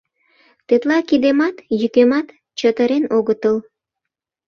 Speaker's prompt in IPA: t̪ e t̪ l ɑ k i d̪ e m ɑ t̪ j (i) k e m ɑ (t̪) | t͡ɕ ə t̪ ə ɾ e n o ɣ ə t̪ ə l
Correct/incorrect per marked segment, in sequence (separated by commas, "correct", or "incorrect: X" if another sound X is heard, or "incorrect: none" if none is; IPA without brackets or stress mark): incorrect: y, correct